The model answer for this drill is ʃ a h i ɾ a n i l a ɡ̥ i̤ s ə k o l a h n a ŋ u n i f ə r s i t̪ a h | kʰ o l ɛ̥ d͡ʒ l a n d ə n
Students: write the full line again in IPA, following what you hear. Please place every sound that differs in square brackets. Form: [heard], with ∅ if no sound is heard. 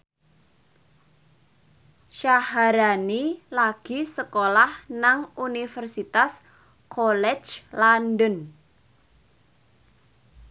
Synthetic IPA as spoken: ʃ a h [a] ɾ a n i l a ɡ̥ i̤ s ə k o l a h n a ŋ u n i f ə r s i t̪ a [s] | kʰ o l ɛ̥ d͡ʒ l a n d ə n